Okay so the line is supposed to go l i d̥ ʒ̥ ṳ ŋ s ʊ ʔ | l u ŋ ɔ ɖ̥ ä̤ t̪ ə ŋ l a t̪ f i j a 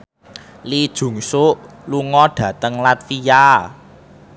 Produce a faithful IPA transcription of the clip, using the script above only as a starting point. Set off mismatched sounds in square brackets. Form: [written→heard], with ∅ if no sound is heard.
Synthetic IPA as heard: l i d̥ ʒ̥ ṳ ŋ s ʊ ʔ | l u ŋ ɔ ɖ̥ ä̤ t̪ ə ŋ l a t̪ f i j a